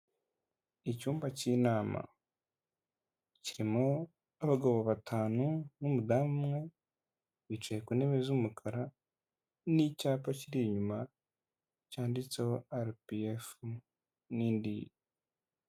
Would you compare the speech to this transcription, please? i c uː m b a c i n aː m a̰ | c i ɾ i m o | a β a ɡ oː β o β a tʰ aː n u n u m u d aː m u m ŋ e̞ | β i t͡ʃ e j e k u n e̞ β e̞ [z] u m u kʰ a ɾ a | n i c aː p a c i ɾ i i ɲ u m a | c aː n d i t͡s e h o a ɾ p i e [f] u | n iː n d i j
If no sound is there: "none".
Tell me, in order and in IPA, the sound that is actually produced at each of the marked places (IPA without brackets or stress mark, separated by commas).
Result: z, f